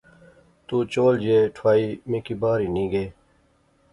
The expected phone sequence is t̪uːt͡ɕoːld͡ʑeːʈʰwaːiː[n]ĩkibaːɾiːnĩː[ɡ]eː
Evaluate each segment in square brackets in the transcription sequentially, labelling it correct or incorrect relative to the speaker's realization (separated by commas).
incorrect, correct